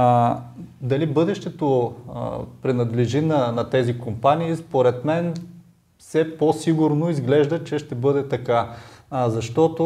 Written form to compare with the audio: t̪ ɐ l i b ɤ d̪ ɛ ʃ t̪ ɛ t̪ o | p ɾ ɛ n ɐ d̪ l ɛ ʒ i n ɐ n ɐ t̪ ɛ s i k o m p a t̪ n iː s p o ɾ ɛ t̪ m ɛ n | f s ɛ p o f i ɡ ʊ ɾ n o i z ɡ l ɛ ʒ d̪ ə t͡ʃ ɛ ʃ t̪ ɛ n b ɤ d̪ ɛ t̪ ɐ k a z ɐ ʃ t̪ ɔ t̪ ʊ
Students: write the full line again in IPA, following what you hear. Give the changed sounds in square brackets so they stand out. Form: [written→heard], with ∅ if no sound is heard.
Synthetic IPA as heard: [t̪→d̪] ɐ l i b ɤ d̪ ɛ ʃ t̪ ɛ t̪ o | p ɾ ɛ n ɐ d̪ l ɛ ʒ i n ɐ n ɐ t̪ ɛ [s→z] i k o m p a [t̪→∅] n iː s p o ɾ ɛ t̪ m ɛ n | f s ɛ p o [f→s] i ɡ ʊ ɾ n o i z ɡ l ɛ ʒ d̪ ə t͡ʃ ɛ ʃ t̪ ɛ [n→∅] b ɤ d̪ ɛ t̪ ɐ k a z ɐ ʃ t̪ ɔ t̪ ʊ